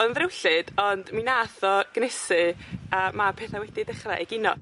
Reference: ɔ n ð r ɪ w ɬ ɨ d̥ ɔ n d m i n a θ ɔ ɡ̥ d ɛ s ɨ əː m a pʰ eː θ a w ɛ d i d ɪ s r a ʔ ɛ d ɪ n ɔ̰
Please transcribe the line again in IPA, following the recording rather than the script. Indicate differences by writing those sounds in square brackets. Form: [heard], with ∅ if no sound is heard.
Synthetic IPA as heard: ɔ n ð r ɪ w ɬ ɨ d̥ ɔ n d m i n a θ ɔ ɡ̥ [n] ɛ s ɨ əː m a pʰ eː θ a w ɛ d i d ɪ [χ] r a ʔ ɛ [ɡ] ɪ n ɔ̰